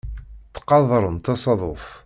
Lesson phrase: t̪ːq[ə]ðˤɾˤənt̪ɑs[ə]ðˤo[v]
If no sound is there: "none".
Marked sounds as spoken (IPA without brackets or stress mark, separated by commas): ɑ, ɑ, f